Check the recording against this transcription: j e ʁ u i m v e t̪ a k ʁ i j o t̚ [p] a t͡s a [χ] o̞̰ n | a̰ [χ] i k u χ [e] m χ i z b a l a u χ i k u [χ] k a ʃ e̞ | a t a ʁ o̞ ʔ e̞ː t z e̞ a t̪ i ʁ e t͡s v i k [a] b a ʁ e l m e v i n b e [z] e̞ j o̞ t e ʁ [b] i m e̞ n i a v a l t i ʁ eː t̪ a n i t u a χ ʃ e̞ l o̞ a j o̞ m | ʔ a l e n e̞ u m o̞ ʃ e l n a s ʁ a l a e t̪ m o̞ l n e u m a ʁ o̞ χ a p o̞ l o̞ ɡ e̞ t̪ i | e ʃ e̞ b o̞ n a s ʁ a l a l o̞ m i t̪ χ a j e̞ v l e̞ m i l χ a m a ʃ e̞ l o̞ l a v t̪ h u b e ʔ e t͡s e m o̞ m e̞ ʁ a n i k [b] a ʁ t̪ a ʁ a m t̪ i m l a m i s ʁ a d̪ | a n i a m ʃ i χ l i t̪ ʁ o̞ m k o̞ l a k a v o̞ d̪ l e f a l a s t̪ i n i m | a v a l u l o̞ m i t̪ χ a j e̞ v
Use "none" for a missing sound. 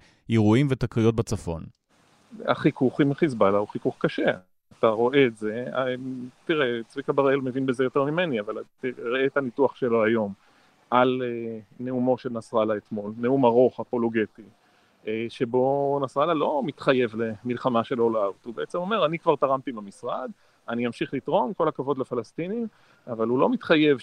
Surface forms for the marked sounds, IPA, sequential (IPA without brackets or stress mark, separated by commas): b, f, χ, i, χ, a, z, m, v